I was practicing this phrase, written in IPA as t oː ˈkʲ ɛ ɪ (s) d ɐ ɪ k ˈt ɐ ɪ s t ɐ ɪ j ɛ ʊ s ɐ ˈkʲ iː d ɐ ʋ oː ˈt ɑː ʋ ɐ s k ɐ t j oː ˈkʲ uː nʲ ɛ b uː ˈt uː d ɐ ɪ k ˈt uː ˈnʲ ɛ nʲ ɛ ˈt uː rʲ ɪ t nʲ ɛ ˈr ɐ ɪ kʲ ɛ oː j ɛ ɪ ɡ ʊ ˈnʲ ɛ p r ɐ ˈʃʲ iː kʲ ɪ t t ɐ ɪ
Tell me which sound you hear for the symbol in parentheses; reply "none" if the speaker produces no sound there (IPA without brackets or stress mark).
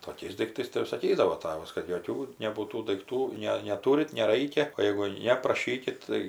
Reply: s